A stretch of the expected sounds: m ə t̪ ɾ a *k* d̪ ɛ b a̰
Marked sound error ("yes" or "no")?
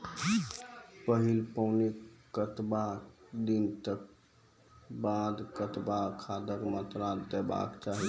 yes